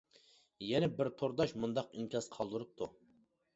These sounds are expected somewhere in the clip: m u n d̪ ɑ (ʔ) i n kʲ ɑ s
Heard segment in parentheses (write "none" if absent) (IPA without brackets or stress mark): q